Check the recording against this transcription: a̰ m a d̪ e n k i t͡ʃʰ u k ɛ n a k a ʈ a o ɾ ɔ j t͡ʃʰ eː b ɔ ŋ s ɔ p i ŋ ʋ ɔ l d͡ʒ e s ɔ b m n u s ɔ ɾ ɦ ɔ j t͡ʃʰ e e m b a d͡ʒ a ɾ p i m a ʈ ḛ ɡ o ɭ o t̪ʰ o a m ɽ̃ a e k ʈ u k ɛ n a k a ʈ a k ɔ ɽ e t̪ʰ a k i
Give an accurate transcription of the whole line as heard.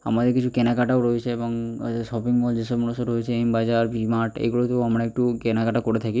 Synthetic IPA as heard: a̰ m a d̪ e k i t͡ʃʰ u k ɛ n a k a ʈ a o ɾ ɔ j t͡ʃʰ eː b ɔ ŋ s ɔ p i ŋ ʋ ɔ l d͡ʒ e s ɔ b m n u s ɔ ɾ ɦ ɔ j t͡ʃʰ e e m b a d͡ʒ a ɾ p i m a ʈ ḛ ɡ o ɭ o t̪ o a m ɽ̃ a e k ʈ u k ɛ n a k a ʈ a k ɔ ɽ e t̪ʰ a k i